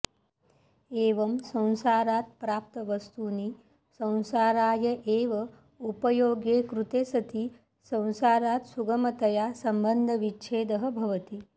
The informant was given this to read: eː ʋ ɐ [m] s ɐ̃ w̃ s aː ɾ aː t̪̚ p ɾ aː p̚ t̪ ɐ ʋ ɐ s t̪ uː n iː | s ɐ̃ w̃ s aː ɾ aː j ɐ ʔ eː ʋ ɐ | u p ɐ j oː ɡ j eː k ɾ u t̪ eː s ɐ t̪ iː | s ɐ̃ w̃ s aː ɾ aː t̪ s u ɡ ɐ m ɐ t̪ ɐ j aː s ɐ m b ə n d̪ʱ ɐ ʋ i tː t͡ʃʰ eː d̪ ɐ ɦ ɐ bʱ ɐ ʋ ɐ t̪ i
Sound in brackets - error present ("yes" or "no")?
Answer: no